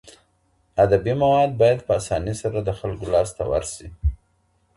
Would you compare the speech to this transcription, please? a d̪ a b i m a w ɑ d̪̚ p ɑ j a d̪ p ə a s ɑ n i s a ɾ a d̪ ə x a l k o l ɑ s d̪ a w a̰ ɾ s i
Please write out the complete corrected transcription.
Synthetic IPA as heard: a d̪ a b i m a w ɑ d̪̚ b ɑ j a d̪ p ə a s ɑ n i s a ɾ a d̪ ə x a l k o l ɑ s t̪ a w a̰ ɾ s i